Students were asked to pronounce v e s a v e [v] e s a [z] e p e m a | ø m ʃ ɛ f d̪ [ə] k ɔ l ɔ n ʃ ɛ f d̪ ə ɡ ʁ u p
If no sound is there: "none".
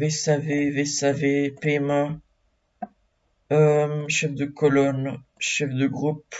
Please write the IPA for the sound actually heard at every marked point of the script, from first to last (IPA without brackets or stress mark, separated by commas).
v, v, ə